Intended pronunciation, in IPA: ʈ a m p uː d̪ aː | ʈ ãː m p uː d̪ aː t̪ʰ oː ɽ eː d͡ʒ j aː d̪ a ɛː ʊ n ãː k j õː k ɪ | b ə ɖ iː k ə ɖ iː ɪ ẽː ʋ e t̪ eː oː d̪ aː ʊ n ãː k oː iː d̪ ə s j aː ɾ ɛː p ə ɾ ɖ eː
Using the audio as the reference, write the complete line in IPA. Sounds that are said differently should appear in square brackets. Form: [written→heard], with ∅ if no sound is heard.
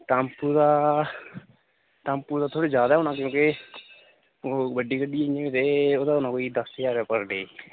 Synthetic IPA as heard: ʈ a m p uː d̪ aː | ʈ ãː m p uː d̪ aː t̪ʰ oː ɽ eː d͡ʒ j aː d̪ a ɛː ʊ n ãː k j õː k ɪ | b ə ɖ iː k ə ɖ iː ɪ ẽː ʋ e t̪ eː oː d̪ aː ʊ n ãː k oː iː d̪ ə s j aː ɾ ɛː p ə ɾ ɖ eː